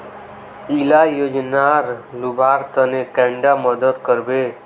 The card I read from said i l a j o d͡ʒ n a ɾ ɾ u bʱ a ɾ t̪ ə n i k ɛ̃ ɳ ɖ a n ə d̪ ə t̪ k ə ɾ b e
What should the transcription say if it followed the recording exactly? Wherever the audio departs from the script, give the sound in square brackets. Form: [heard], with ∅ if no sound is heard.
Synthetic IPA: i l a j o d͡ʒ n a ɾ [l] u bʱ a ɾ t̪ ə n [e] k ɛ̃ ɳ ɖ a [m] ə d̪ ə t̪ k ə ɾ b e